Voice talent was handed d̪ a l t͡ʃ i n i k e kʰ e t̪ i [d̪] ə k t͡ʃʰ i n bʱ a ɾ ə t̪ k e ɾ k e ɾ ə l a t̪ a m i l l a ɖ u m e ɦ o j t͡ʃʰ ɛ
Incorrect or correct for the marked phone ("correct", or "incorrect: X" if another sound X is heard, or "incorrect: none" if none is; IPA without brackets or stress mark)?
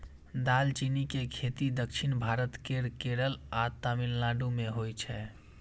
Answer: correct